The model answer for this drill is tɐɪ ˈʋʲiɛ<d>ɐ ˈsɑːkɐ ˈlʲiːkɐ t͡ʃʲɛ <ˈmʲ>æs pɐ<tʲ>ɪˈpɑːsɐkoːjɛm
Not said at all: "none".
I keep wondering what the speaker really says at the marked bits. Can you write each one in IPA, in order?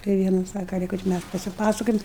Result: n, mʲ, sʲ

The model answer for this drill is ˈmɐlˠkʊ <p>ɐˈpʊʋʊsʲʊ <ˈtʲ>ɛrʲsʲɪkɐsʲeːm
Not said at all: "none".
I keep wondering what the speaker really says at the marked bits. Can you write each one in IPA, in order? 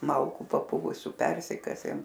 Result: p, pʲ

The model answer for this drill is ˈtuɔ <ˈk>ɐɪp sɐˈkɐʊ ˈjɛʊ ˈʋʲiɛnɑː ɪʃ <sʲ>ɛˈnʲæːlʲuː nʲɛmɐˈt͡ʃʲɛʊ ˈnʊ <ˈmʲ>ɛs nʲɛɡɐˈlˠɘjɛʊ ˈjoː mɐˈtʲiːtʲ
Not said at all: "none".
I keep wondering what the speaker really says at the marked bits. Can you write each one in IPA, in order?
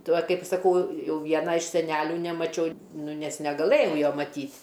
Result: k, sʲ, nʲ

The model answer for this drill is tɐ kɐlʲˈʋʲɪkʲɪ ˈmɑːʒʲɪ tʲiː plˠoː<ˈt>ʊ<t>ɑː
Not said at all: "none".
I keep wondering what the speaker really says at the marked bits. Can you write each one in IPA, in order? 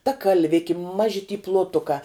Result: t, k

